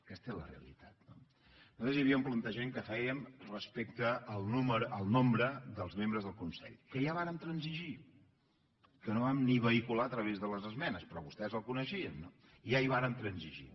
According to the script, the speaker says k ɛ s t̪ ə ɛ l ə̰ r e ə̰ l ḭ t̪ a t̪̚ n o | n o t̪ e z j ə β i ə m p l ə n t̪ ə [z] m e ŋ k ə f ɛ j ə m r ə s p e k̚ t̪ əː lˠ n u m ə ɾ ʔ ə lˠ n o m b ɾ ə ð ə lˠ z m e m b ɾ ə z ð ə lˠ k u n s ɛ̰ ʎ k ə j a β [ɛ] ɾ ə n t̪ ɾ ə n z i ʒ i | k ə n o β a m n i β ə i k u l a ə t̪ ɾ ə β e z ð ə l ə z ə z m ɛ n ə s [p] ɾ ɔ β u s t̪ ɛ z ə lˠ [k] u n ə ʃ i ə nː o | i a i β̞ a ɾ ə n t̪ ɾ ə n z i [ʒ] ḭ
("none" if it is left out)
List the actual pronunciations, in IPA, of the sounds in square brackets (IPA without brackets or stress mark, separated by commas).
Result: ʒ, a, p, k, ʒ